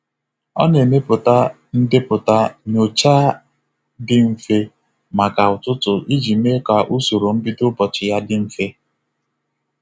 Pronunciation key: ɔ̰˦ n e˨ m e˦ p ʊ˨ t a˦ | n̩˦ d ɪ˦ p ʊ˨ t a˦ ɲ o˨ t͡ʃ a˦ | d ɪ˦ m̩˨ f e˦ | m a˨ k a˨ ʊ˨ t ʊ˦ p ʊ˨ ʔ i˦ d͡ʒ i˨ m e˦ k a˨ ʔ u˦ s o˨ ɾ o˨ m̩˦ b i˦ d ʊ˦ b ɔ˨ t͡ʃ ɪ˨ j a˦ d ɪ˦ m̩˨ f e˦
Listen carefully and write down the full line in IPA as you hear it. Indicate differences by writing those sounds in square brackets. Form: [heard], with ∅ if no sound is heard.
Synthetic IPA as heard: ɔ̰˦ n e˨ m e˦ p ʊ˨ t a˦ | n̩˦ d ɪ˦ p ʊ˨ t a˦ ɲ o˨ t͡ʃ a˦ | d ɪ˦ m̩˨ f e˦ | m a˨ k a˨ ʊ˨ t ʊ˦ [t] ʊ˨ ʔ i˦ d͡ʒ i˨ m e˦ k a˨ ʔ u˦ s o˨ ɾ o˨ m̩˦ b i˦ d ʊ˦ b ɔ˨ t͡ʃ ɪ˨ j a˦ d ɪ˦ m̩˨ f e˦